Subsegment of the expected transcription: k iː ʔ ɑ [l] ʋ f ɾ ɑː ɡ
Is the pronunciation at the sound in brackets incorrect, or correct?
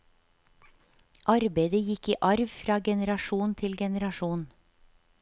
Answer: incorrect